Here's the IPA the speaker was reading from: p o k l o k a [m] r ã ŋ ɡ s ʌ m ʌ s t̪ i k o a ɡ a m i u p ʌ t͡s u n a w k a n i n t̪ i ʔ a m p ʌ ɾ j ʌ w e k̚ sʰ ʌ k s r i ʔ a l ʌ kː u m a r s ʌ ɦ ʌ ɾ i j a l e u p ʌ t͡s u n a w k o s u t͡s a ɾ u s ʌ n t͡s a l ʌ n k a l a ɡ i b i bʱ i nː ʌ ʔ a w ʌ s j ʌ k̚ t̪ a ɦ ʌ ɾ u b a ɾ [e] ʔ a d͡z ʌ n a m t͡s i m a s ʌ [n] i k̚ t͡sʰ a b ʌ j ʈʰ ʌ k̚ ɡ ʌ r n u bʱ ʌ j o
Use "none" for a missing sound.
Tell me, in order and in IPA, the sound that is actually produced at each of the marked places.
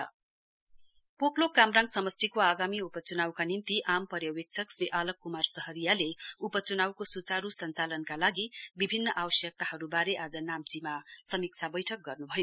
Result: m, e, m

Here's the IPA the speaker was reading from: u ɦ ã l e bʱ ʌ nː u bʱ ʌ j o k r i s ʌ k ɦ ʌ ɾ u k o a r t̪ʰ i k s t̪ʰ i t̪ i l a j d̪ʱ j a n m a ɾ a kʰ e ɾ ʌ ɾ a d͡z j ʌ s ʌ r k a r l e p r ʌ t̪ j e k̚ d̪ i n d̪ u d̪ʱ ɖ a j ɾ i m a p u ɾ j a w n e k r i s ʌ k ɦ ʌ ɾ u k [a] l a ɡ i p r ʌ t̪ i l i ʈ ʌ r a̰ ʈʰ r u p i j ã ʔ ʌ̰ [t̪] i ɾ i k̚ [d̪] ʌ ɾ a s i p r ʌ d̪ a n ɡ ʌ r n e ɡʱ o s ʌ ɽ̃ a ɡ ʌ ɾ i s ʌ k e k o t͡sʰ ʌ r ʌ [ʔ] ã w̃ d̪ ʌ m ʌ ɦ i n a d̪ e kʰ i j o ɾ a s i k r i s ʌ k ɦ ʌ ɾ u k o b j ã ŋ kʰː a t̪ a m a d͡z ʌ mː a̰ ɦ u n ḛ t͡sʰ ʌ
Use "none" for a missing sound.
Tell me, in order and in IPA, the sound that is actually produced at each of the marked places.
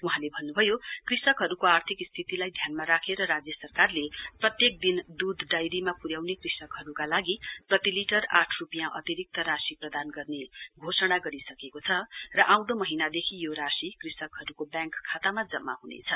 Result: a, t̪, t̪, ʔ

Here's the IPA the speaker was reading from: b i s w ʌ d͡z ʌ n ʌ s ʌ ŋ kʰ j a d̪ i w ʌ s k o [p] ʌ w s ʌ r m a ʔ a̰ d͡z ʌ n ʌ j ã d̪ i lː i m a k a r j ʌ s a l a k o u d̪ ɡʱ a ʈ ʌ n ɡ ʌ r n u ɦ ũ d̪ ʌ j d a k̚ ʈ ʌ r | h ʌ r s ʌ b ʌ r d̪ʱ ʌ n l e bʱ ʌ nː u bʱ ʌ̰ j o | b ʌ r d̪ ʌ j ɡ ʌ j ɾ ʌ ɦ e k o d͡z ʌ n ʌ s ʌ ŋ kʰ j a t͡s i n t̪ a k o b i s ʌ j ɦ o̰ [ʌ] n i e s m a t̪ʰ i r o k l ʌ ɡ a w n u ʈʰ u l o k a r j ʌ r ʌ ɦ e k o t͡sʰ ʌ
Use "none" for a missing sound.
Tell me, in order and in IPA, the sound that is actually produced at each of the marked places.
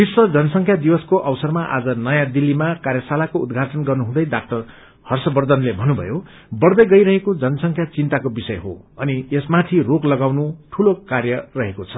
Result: ʔ, ʌ

